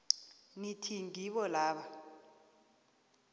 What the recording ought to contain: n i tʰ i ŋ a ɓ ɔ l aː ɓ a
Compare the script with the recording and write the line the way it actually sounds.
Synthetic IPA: n i tʰ i ŋ i ɓ ɔ l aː ɓ a